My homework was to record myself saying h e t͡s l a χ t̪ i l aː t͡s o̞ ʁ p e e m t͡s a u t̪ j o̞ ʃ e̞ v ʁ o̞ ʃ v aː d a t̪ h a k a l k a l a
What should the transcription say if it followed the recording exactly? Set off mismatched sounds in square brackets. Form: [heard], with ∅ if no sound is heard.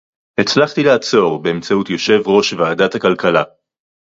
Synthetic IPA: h e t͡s l a χ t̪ i l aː t͡s o̞ ʁ [b] e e m t͡s a u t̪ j o̞ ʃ e̞ v ʁ o̞ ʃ v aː d a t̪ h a k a l k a l a

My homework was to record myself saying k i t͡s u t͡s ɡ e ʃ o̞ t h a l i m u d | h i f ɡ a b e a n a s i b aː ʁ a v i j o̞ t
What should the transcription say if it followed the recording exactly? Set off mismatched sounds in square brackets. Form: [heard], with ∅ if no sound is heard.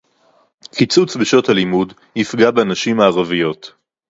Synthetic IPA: k i t͡s u t͡s [b] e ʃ o̞ t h a l i m u d | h i f ɡ a b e a n a [ʃ] i [m] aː ʁ a v i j o̞ t

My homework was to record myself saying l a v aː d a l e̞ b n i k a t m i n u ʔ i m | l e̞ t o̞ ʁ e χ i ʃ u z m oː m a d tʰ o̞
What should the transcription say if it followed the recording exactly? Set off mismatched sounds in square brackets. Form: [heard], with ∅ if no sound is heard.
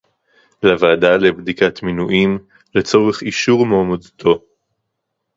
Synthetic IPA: l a v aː d a l e̞ b [d] i k a t m i n u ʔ i m | l e̞ [t͡s] o̞ ʁ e χ i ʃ u [ʁ] m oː m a d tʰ o̞

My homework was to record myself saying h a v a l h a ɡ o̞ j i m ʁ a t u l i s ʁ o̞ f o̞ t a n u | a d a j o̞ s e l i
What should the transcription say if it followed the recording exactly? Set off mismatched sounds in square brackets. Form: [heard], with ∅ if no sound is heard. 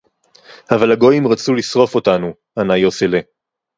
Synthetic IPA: h a v a l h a ɡ o̞ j i m ʁ a [t͡s] u l i s ʁ o̞ f o̞ t a n u | a [n] a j o̞ s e l [e]

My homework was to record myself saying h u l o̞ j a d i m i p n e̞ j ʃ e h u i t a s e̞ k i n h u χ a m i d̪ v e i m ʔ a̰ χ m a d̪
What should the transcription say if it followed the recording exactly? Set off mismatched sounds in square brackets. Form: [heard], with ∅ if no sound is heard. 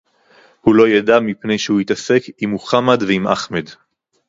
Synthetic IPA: h u l o̞ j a d [a] m i p n e̞ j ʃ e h u i t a s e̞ k i [m] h u χ a m [a] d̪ v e i m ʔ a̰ χ m [e] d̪

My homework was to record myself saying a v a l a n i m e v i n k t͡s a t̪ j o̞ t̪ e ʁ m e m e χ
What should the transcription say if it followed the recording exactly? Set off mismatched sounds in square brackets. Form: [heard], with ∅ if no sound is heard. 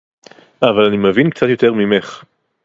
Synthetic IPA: a v a l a n i m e v i n k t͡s a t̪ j o̞ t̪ e ʁ m [i] m e χ

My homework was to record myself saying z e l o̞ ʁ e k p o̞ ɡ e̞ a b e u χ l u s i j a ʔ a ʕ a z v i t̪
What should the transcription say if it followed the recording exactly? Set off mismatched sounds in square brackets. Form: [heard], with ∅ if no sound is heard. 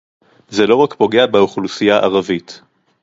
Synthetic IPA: z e l o̞ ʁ [a] k p o̞ ɡ e̞ a b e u χ l u s i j a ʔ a [ʁ] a [∅] v i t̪

